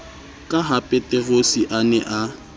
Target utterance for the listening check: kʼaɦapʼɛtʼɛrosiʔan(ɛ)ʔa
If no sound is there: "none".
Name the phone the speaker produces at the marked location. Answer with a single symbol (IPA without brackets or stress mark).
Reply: ɛ